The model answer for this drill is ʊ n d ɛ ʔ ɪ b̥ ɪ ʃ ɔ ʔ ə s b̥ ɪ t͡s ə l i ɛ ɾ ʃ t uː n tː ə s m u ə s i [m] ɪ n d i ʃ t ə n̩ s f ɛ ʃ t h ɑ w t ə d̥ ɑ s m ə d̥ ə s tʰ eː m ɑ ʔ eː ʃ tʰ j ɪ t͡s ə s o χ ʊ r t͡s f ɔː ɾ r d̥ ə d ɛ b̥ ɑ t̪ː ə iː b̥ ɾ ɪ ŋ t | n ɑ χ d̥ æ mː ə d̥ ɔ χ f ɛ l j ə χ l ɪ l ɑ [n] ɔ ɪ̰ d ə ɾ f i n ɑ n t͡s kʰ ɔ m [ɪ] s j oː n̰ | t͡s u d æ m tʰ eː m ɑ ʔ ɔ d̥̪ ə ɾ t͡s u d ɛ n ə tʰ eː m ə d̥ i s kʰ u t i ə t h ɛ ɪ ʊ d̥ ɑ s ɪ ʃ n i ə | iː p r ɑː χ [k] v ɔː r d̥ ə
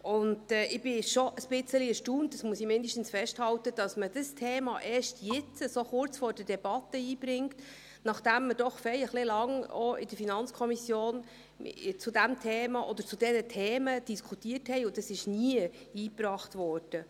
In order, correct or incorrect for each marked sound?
correct, incorrect, incorrect, incorrect

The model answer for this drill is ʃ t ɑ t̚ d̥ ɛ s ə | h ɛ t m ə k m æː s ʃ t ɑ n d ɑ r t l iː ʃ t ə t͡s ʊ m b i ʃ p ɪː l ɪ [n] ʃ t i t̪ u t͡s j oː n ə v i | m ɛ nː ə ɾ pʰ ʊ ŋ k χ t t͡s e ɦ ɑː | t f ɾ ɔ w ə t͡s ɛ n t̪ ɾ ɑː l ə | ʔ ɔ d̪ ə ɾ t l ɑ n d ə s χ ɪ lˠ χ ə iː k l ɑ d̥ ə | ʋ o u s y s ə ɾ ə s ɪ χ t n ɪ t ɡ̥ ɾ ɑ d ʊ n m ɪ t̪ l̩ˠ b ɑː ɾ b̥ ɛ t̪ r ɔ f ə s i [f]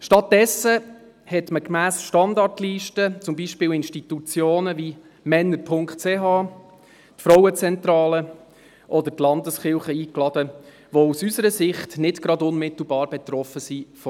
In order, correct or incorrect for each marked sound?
correct, correct

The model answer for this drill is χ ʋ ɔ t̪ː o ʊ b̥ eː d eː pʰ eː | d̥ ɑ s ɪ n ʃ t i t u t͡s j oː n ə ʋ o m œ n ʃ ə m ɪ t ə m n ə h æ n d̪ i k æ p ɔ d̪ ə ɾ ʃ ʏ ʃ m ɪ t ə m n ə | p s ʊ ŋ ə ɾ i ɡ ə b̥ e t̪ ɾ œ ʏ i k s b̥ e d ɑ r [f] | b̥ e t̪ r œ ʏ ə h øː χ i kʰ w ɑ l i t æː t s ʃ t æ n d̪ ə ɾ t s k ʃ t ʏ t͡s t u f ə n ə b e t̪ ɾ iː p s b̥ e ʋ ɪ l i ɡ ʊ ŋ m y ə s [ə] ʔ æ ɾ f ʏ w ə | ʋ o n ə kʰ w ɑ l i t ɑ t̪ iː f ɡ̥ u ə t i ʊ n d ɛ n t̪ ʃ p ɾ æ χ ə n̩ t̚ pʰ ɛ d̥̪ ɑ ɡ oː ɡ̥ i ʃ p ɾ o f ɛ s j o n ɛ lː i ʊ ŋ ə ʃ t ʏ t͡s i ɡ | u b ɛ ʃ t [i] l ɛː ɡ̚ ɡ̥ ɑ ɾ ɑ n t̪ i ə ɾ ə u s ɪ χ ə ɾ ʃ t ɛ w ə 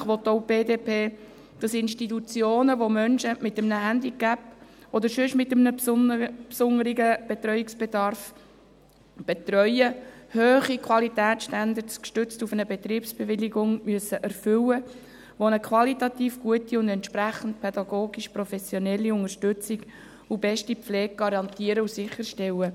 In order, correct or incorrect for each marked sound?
correct, correct, correct

